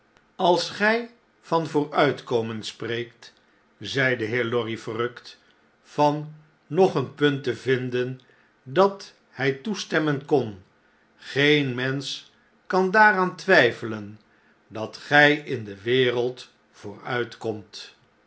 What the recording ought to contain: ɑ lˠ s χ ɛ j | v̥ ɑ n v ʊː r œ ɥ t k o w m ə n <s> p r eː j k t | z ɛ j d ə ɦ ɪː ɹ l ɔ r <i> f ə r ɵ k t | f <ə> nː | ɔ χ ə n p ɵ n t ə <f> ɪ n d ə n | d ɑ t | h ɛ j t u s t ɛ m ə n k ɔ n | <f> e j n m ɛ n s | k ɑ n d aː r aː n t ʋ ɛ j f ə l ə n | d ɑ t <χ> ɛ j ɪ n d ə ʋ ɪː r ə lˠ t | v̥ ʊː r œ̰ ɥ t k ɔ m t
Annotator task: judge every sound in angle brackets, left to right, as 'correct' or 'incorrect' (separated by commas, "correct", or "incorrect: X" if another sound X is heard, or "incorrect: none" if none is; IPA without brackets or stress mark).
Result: correct, correct, incorrect: ɑ, incorrect: v, incorrect: χ, correct